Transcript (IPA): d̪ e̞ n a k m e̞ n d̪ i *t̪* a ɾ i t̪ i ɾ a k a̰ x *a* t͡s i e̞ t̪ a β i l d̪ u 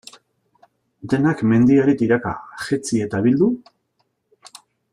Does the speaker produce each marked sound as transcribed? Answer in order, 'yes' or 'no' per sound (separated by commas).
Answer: no, no